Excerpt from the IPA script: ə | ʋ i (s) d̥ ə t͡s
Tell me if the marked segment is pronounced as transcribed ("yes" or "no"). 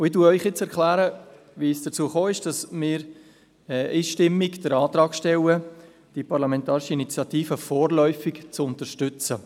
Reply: yes